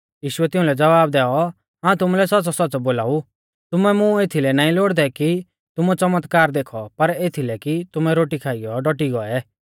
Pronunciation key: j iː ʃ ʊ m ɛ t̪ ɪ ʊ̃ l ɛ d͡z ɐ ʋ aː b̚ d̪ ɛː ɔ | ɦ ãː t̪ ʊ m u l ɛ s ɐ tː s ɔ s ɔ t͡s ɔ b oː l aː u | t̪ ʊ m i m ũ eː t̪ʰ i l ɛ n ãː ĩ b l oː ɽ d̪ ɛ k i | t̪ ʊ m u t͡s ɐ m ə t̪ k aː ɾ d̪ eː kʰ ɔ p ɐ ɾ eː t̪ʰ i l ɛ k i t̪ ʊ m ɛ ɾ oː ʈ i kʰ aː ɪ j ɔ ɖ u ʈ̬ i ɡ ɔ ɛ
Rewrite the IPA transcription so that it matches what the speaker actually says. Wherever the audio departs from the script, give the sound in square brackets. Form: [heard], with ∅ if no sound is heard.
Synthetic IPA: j iː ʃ ʊ [∅] ɛ t̪ ɪ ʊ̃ l ɛ d͡z ɐ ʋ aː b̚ d̪ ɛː ɔ | ɦ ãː t̪ ʊ m u l ɛ s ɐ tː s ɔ s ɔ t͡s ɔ b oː l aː u | t̪ ʊ m [ɛ] m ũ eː t̪ʰ i l ɛ n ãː ĩ [∅] l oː ɽ d̪ ɛ k i | t̪ ʊ m u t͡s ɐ m ə t̪ k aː ɾ d̪ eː kʰ ɔ p ɐ ɾ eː t̪ʰ i l ɛ k i t̪ ʊ m ɛ ɾ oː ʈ i kʰ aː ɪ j ɔ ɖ [ɔ] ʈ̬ i ɡ ɔ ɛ